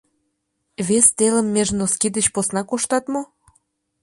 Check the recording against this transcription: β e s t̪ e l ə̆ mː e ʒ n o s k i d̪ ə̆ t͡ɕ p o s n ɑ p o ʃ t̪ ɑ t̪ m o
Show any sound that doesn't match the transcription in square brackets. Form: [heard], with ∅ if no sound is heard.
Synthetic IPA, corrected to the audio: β e s t̪ e l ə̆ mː e ʒ n o s k i d̪ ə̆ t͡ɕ p o s n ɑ [k] o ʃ t̪ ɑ t̪ m o